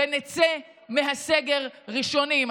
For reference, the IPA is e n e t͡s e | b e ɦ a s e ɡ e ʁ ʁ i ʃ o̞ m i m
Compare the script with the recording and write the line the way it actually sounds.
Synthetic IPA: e n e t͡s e | m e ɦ a s e ɡ e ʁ ʁ i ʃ o̞ n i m